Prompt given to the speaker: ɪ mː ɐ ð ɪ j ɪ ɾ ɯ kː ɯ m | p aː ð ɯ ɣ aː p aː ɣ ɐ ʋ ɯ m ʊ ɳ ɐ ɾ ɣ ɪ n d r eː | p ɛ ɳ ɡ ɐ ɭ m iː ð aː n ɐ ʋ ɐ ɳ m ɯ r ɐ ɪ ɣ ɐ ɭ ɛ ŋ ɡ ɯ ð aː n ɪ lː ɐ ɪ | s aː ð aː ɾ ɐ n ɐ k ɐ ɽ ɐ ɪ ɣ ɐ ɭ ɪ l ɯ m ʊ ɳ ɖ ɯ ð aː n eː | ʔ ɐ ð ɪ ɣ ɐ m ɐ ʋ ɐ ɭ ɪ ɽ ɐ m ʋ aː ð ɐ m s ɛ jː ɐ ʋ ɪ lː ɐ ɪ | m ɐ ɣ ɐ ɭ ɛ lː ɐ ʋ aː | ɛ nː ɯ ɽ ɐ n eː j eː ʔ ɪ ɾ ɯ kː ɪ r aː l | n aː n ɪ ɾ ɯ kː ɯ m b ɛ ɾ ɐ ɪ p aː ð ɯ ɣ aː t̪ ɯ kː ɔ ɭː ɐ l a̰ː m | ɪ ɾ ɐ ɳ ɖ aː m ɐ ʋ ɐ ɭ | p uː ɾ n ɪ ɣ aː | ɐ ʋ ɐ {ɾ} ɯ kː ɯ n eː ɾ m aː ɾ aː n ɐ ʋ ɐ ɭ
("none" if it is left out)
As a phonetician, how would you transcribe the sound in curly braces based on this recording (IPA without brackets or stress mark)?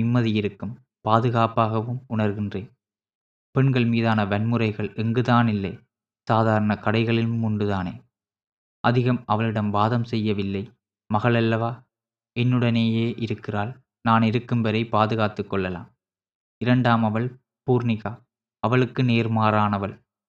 ɭ